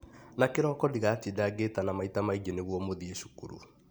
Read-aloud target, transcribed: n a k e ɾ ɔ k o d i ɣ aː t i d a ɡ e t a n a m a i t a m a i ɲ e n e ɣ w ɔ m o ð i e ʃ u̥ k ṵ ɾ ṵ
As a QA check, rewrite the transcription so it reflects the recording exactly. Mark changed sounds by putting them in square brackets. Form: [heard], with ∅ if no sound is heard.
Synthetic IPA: n a k e ɾ ɔ k [ɔ] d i ɣ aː t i d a ɡ e t a n a m a i t a m a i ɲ e n e ɣ w ɔ m o ð i e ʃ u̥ k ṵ ɾ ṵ